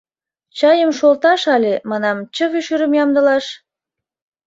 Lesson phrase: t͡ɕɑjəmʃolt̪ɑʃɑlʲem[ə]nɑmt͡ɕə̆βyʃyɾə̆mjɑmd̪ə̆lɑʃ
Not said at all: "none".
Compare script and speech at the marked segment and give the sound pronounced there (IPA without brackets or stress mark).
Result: ɑ